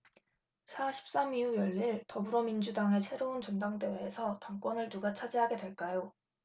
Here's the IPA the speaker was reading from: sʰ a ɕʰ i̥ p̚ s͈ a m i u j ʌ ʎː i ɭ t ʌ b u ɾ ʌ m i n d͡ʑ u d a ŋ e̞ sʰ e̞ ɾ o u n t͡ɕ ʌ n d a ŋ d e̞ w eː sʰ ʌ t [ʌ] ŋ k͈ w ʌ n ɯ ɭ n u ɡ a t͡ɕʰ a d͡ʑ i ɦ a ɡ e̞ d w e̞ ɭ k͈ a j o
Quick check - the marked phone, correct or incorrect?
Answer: incorrect: a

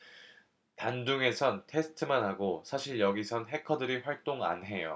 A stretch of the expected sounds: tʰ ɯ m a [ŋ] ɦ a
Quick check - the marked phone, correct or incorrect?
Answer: incorrect: n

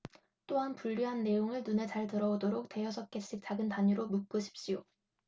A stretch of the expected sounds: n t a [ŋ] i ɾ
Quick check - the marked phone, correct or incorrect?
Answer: incorrect: ɲ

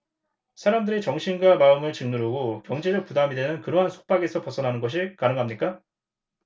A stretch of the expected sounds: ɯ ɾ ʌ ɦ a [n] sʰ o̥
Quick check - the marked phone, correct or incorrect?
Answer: correct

